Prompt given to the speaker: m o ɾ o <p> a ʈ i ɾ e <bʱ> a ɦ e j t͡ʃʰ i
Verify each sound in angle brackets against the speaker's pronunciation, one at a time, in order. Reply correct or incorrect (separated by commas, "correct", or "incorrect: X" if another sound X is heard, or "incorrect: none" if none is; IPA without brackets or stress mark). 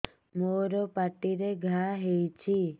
correct, incorrect: ɡʱ